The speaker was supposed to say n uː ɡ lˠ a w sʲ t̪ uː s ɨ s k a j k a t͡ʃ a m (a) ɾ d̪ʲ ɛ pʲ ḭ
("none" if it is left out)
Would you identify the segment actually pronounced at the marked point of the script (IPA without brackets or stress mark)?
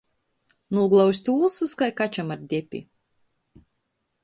a